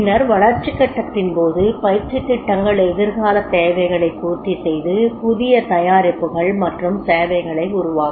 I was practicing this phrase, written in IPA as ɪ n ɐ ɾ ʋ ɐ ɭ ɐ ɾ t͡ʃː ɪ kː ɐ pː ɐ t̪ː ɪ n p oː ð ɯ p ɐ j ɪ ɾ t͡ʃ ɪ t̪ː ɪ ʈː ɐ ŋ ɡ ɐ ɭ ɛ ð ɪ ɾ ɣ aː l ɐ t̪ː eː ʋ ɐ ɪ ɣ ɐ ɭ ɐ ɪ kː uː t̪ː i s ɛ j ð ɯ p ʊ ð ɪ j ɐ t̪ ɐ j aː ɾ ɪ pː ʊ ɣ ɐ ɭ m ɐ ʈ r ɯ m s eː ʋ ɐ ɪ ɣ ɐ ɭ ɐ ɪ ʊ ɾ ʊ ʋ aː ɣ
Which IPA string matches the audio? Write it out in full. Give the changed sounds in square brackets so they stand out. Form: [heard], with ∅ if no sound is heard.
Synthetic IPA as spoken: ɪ n ɐ ɾ ʋ ɐ ɭ ɐ ɾ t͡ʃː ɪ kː ɐ [ʈː] ɐ t̪ː ɪ n p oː ð ɯ p ɐ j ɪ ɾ t͡ʃ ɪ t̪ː ɪ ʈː ɐ ŋ ɡ ɐ ɭ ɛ ð ɪ ɾ ɣ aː l ɐ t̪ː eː ʋ ɐ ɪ ɣ ɐ ɭ ɐ ɪ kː uː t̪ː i s ɛ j ð ɯ p ʊ ð ɪ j ɐ t̪ ɐ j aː ɾ ɪ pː [ɯ] ɣ ɐ ɭ m ɐ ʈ r ɯ m s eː ʋ ɐ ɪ ɣ ɐ ɭ ɐ ɪ ʊ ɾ ʊ ʋ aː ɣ

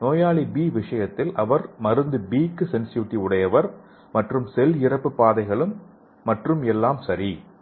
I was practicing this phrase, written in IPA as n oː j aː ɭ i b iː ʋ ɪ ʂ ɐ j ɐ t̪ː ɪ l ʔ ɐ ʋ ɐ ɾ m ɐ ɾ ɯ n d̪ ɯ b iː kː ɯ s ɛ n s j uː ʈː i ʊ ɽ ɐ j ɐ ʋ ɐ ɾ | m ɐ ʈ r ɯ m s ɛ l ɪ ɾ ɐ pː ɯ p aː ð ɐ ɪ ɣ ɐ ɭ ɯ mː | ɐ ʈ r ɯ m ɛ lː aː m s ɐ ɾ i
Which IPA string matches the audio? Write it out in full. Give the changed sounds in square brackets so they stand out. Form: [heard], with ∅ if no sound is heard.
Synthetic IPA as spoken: n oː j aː ɭ i b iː ʋ ɪ ʂ ɐ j ɐ t̪ː ɪ l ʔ ɐ ʋ ɐ ɾ m ɐ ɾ ɯ n d̪ ɯ b iː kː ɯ s ɛ n s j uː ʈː i ʊ ɽ ɐ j ɐ ʋ ɐ ɾ | m ɐ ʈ r ɯ m s ɛ l ɪ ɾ ɐ pː ɯ p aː ð ɐ ɪ ɣ ɐ ɭ ɯ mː | ɐ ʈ r ɯ m ɛ lː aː m s ɐ ɾ i

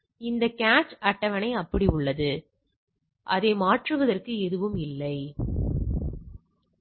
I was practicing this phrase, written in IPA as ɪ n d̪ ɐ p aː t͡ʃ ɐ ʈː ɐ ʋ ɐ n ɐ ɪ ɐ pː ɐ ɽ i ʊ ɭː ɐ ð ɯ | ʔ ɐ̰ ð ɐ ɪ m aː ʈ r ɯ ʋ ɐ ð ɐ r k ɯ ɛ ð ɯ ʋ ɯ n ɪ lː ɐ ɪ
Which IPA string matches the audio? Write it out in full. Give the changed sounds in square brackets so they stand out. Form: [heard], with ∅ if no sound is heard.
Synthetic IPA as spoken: ɪ n d̪ ɐ [k] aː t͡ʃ ɐ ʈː ɐ ʋ ɐ n ɐ ɪ ɐ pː ɐ ɽ i ʊ ɭː ɐ ð ɯ | ʔ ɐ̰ ð ɐ ɪ m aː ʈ r ɯ ʋ ɐ ð ɐ r k ɯ ɛ ð ɯ ʋ ɯ [m] ɪ lː ɐ ɪ

